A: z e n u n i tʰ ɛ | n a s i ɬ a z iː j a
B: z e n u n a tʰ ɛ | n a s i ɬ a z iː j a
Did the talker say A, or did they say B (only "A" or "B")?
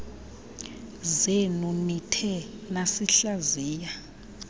A